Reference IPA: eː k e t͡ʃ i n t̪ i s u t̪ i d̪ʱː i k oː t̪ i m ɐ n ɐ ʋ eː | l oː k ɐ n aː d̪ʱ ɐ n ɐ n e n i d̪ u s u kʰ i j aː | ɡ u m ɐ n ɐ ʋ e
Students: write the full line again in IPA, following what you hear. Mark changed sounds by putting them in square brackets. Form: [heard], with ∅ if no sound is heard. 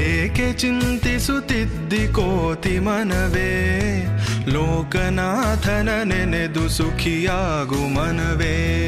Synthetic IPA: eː k e t͡ʃ i n t̪ i s u t̪ i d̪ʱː i k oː t̪ i m ɐ n ɐ ʋ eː | l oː k ɐ n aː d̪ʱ ɐ n ɐ n e n [e] d̪ u s u kʰ i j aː | ɡ u m ɐ n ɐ ʋ e